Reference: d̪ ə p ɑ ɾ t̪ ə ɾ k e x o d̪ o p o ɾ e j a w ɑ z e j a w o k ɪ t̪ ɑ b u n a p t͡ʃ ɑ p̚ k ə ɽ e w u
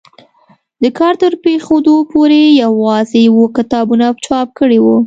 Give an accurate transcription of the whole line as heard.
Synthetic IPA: d̪ ə k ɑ ɾ t̪ ə ɾ p e x o d̪ o p o ɾ e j a w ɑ z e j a w o k ɪ t̪ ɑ b u n a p t͡ʃ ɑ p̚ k ə ɽ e w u